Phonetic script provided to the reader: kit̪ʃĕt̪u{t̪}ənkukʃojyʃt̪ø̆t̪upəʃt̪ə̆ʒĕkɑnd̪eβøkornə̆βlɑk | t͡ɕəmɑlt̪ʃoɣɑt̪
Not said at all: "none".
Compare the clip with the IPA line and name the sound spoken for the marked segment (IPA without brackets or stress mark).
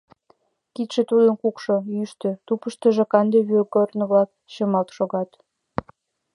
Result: d̪